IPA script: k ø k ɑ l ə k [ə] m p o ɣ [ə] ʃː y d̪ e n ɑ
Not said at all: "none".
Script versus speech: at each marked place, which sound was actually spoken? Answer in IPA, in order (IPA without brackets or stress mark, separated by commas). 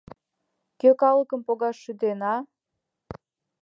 ə, ɑ